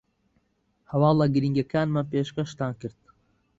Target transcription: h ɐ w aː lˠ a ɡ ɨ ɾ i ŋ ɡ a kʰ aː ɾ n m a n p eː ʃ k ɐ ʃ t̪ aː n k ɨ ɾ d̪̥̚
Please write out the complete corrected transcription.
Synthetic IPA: h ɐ w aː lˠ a ɡ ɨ ɾ i ŋ ɡ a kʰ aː n m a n p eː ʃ k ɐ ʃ t̪ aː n k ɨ ɾ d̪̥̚